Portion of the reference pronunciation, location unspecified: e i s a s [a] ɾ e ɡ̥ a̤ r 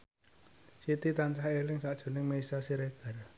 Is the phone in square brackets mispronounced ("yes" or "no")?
yes